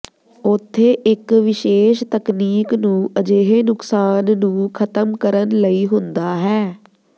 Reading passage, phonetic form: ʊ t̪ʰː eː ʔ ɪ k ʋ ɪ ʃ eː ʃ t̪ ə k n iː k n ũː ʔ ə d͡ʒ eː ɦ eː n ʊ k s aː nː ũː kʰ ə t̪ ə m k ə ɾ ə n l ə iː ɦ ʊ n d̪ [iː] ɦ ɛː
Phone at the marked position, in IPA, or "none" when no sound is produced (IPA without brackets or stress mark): aː